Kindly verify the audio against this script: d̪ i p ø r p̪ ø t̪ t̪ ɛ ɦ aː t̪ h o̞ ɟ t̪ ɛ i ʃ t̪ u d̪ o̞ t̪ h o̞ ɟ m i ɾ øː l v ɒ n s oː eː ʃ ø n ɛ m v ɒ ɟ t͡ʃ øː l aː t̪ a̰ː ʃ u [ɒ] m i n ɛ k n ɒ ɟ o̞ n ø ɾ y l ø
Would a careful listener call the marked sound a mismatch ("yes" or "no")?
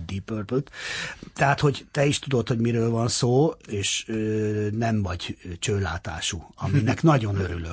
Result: no